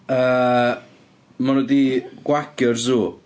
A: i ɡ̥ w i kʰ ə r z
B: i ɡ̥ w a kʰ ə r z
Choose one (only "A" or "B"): B